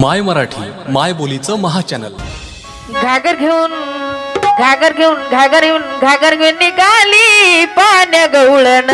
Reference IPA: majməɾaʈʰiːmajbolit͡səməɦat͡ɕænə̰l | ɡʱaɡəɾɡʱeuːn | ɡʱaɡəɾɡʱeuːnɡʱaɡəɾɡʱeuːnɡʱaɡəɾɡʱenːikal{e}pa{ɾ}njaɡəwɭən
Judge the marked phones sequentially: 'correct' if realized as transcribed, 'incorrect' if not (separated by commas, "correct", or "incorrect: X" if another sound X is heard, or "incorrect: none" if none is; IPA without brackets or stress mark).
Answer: incorrect: i, incorrect: none